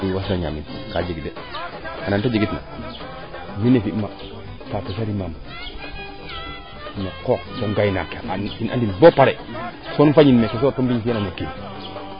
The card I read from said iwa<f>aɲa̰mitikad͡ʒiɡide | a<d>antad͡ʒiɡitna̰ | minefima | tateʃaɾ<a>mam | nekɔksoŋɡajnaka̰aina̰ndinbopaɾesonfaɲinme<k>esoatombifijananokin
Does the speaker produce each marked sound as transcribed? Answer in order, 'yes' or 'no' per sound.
no, no, no, yes

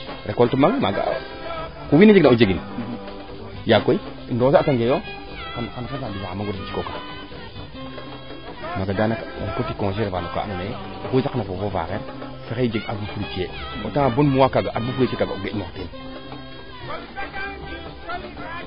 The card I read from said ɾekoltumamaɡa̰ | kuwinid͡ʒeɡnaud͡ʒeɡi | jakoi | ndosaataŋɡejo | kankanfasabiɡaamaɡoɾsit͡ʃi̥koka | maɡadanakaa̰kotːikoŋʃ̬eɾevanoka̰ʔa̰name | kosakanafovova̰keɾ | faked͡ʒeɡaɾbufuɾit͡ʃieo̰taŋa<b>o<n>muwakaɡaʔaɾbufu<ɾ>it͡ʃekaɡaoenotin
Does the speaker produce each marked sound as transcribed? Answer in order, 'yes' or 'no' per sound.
yes, yes, yes

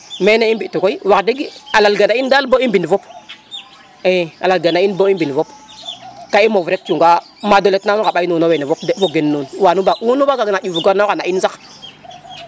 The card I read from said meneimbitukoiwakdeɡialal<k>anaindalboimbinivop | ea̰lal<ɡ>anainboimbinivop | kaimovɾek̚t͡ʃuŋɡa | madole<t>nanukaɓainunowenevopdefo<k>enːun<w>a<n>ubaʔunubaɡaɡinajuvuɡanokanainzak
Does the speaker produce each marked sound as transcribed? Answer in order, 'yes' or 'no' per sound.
no, yes, yes, no, yes, yes

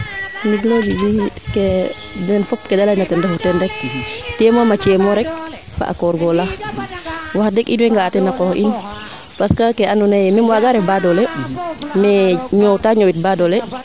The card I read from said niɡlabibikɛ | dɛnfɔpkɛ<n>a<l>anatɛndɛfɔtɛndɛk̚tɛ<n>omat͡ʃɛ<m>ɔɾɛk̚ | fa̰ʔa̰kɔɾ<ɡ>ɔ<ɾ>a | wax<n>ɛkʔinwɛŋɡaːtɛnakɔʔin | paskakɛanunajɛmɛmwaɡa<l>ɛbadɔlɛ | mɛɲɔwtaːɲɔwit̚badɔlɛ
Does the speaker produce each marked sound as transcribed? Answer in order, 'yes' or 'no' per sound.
no, yes, no, yes, yes, no, no, no

